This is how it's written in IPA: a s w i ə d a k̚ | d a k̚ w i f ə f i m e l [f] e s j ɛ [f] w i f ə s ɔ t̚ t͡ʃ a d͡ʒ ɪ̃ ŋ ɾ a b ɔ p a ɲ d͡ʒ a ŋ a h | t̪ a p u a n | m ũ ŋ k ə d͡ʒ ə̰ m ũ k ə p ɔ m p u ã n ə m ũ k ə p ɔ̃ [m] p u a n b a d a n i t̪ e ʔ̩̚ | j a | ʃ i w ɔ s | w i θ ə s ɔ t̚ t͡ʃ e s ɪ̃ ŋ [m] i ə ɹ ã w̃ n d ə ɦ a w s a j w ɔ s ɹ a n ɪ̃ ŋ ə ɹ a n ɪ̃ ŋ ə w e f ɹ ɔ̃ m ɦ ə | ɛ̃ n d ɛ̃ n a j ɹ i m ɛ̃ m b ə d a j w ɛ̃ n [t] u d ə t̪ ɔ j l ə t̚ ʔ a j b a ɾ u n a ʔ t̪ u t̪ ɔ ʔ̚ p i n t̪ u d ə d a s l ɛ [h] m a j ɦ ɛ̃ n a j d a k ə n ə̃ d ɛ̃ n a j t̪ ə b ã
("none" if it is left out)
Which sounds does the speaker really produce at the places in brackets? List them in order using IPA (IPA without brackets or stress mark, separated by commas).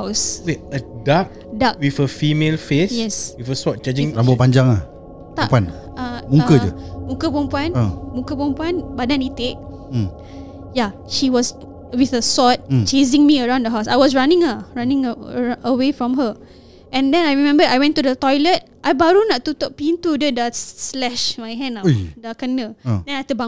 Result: f, s, m, m, t, ʃ